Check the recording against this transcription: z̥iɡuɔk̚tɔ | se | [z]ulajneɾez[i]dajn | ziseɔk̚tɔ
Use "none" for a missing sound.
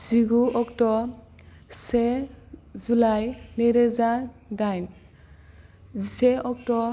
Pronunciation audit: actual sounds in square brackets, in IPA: z, a

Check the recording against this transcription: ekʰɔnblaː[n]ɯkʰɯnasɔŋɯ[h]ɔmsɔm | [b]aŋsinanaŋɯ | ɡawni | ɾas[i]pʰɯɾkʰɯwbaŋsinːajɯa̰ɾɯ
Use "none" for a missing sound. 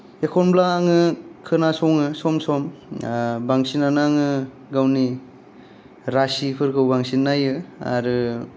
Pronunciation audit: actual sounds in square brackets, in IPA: ŋ, s, b, i

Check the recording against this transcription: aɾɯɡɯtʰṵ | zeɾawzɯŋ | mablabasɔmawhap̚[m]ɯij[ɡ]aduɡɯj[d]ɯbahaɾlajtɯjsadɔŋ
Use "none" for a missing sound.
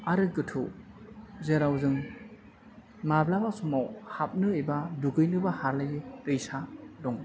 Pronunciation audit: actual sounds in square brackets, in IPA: n, b, n

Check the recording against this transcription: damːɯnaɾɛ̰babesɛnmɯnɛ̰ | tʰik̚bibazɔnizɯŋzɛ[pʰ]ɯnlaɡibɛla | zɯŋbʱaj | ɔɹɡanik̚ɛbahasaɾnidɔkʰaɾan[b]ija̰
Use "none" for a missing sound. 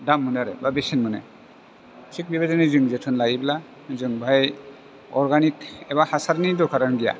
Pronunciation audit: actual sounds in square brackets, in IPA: tʰ, ɡ

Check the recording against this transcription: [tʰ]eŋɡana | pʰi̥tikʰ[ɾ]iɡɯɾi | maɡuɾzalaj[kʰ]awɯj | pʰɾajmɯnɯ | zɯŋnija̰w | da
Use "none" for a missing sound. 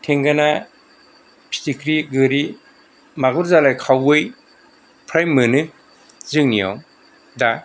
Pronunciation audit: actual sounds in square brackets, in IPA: tʰ, ɾ, kʰ

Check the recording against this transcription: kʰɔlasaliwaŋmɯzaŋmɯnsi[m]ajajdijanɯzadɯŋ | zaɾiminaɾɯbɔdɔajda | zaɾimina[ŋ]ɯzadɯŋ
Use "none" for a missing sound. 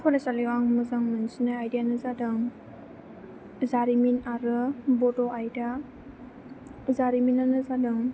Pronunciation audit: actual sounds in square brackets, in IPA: n, n

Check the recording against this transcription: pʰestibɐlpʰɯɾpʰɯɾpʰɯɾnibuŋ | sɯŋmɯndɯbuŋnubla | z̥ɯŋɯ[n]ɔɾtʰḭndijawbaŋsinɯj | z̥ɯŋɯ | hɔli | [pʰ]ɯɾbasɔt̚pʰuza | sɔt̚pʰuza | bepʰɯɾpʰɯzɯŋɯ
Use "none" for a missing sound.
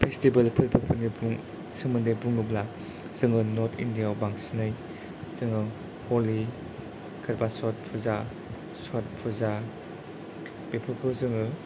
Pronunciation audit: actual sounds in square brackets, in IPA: n, kʰ

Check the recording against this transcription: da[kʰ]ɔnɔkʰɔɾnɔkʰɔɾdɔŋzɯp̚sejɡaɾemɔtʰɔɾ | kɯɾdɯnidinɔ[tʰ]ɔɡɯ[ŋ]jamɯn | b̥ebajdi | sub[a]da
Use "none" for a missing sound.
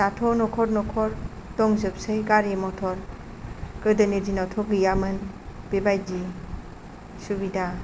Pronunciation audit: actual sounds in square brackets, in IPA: tʰ, tʰ, none, i

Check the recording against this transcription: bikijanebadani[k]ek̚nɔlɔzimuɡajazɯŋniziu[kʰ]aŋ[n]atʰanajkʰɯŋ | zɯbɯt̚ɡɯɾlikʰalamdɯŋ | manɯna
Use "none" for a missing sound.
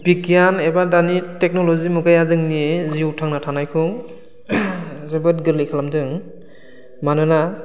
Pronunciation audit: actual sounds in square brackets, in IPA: t, tʰ, n

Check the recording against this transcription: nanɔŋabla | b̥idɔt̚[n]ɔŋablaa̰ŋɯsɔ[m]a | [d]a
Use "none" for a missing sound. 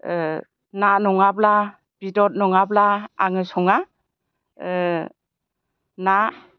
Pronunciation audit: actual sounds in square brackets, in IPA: n, ŋ, n

